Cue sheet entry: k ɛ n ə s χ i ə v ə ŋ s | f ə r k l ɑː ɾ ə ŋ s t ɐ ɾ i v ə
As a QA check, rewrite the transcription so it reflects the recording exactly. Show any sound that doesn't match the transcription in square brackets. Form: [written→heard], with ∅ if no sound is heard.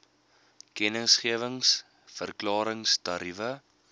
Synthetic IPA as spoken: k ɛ n ə s χ i ə v ə ŋ s | f ə r k l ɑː ɾ ə ŋ s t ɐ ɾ i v ə